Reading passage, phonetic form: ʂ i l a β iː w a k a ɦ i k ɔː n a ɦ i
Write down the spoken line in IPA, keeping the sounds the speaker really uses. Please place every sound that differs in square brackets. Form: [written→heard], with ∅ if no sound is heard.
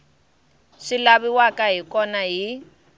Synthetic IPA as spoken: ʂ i l a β [iː→i] w a k a ɦ i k [ɔː→ɔ] n a ɦ i